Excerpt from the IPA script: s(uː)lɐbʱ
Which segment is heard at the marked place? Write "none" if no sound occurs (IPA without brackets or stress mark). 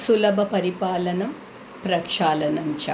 u